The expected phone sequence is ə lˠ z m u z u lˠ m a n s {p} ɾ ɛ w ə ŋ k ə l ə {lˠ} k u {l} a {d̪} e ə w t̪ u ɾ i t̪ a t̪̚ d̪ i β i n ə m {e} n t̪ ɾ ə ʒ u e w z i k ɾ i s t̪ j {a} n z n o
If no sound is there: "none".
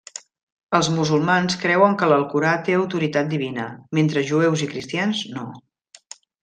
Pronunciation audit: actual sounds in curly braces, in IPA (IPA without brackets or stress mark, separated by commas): k, lˠ, ɾ, t̪, e, a